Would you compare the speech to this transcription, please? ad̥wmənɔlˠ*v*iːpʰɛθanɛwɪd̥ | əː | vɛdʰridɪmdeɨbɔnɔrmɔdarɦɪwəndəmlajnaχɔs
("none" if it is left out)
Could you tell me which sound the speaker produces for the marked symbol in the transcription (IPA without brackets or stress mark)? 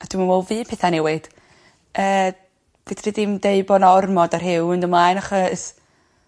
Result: v